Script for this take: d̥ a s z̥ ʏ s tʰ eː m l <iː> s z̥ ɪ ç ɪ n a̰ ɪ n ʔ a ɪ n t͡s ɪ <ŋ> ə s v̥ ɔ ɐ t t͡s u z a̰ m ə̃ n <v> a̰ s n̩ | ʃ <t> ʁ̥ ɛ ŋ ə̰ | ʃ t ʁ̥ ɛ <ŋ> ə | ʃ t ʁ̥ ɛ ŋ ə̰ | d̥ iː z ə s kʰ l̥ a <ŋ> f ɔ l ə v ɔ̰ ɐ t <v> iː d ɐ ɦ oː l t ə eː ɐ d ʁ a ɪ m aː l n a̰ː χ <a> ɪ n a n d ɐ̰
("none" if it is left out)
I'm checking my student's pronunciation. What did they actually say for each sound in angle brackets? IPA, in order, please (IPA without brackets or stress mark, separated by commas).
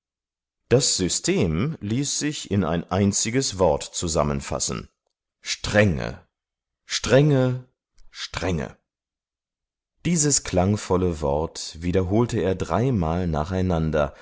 iː, ɡ, f, t, ŋ, ŋ, v, a